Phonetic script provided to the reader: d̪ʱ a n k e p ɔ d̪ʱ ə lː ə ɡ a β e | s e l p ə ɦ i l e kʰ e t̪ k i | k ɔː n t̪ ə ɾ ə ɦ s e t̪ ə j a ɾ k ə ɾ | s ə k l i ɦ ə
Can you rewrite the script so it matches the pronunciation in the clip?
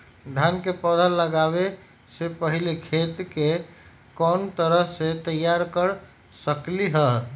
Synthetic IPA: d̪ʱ a n k e p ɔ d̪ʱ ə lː ə ɡ a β e | s e p ə ɦ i l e kʰ e t̪ k e | k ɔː n t̪ ə ɾ ə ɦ s e t̪ ə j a ɾ k ə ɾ | s ə k l i ɦ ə

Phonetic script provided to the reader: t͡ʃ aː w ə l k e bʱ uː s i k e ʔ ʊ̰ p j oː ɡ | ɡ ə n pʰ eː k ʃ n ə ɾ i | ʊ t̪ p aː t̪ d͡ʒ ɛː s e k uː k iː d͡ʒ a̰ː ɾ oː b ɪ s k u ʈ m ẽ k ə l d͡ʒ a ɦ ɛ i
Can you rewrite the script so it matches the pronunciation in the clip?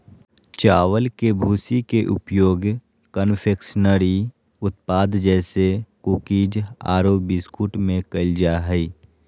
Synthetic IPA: t͡ʃ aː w ə l k e bʱ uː s i k e ʔ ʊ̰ p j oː ɡ | k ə n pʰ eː k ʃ n ə ɾ i | ʊ t̪ p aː d̪ d͡ʒ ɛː s e k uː k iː d͡ʒ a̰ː ɾ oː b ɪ s k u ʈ m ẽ k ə l d͡ʒ a ɦ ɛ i

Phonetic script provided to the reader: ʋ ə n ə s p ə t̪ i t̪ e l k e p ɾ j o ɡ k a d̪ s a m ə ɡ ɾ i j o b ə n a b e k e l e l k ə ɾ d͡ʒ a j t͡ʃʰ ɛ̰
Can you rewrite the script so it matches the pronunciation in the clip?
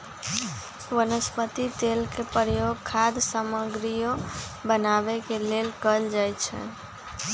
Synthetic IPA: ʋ ə n ə s p ə t̪ i t̪ e l k e p ɾ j o ɡ kʰ a d̪ s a m ə ɡ ɾ i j o b ə n a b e k e l e l k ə l d͡ʒ a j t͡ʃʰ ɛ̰

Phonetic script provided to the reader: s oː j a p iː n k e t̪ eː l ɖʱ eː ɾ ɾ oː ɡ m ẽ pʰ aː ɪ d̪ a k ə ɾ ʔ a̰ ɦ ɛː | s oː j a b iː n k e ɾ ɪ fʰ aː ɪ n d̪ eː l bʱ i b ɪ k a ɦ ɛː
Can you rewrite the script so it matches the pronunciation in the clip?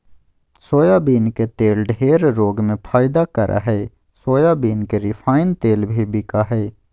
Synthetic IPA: s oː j a b iː n k e t̪ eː l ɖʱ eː ɾ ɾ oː ɡ m ẽ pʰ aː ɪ d̪ a k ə ɾ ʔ a̰ ɦ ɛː | s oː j a b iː n k e ɾ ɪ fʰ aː ɪ n t̪ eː l bʱ i b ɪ k a ɦ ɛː

